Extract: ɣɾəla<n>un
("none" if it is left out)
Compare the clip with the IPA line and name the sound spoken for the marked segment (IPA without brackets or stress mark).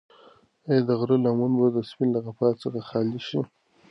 m